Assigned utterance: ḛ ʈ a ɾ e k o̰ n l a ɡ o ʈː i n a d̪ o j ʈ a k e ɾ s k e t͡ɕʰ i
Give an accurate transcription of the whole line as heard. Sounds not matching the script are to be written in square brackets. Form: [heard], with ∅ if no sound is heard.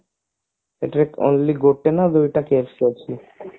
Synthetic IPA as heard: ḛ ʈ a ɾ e k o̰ n l [i] ɡ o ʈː [e] n a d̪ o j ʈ a k e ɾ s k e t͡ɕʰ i

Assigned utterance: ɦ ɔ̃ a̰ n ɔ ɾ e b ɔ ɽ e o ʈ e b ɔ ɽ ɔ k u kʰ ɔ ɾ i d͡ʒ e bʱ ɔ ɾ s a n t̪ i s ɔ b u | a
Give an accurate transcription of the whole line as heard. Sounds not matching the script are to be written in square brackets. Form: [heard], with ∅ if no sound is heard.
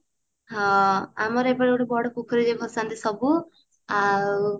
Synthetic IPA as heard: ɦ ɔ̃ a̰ [m] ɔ ɾ e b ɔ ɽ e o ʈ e b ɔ ɽ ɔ k u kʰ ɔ ɾ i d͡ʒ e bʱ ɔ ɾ s a n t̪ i s ɔ b u | a

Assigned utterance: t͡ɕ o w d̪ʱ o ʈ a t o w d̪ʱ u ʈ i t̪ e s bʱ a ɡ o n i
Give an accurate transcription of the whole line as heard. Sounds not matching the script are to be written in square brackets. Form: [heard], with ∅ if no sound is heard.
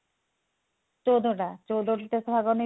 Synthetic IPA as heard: t͡ɕ o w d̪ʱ o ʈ a [t͡ɕ] o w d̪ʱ [o] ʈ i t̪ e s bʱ a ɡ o n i

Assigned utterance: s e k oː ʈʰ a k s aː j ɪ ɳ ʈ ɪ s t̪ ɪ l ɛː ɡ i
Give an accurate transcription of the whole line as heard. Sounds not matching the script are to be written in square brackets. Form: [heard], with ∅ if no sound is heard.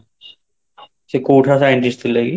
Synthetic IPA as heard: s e k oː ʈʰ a [∅] s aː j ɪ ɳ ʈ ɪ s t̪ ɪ l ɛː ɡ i

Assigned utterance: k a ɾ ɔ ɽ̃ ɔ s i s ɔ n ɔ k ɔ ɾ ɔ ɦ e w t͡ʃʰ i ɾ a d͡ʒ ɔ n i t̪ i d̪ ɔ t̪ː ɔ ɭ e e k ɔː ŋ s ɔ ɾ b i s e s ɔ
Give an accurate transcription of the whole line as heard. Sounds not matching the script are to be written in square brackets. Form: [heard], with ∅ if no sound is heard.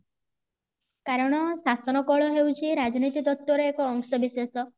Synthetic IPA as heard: k a ɾ ɔ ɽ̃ ɔ s [a] s ɔ n ɔ k ɔ [ɭ] ɔ ɦ e w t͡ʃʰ i ɾ a d͡ʒ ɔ n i t̪ i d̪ ɔ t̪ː ɔ [ɾ] e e k ɔː ŋ s ɔ [∅] b i s e s ɔ

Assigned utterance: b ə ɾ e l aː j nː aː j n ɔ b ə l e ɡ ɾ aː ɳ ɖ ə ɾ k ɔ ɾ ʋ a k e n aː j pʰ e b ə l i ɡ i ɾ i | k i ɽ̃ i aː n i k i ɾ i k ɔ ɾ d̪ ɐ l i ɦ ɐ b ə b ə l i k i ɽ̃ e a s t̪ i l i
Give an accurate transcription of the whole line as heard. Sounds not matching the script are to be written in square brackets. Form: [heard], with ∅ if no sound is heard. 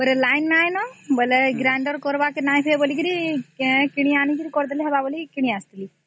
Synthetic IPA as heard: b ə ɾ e l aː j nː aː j n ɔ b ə l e ɡ ɾ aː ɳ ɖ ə ɾ k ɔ ɾ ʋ a k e n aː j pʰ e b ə l i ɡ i ɾ i | k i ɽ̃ i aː n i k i ɾ i k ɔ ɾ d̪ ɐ l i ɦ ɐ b [a] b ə l i k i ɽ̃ [i] a s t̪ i l i

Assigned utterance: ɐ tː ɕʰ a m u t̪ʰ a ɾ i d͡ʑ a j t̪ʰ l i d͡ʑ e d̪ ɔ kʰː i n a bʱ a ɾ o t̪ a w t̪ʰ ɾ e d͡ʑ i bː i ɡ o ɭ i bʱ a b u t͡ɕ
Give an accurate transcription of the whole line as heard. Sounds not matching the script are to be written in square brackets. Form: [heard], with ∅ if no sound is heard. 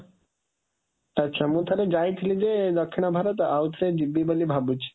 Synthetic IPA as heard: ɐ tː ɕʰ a m u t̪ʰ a ɾ [e] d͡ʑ a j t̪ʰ l i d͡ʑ e d̪ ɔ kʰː i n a bʱ a ɾ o t̪ a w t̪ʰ ɾ e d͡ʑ i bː i [b] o [l] i bʱ a b u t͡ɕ

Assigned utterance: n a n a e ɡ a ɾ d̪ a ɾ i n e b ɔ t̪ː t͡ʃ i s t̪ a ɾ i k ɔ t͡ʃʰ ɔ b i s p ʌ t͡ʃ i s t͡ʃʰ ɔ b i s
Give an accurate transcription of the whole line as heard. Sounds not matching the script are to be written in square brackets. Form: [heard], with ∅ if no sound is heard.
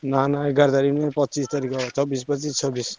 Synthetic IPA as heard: n a n a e ɡ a ɾ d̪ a ɾ i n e [p] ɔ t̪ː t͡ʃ i s t̪ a ɾ i k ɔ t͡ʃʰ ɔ b i s p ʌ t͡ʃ i s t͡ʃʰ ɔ b i s

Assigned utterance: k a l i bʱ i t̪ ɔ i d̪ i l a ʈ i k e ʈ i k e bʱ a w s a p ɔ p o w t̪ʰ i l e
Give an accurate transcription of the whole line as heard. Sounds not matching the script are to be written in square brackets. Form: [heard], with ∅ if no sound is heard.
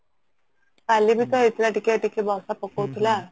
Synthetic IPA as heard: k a l i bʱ i t̪ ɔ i [t̪] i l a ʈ i k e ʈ i k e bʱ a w s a p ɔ [k] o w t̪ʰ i l [a]

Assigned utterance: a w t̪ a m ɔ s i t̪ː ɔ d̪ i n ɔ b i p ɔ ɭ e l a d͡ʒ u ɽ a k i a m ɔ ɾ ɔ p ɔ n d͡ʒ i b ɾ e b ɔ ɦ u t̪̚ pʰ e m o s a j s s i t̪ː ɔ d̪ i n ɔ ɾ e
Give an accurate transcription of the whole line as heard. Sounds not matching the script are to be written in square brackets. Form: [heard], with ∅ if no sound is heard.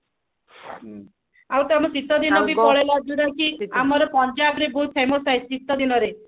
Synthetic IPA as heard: a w t̪ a m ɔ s i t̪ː ɔ d̪ i n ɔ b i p ɔ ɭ e l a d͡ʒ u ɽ a k i a m ɔ ɾ ɔ p ɔ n d͡ʒ [a] b ɾ e b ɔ ɦ u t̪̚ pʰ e m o s a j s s i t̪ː ɔ d̪ i n ɔ ɾ e

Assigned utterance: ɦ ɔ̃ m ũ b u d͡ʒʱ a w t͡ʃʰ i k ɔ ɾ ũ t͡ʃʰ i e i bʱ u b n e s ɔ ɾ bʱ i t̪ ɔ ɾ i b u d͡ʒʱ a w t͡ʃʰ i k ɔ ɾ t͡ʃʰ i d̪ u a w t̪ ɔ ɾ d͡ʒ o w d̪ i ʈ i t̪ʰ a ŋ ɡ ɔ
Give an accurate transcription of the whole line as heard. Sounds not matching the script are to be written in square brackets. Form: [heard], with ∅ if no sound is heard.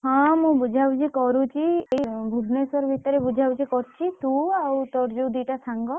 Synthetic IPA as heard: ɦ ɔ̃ m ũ b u d͡ʒʱ a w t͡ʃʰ i k ɔ ɾ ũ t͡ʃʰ i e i bʱ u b n e s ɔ ɾ bʱ i t̪ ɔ ɾ [e] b u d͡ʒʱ a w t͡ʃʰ i k ɔ ɾ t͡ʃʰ i [t̪] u a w t̪ ɔ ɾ d͡ʒ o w d̪ i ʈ [a] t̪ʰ a ŋ ɡ ɔ

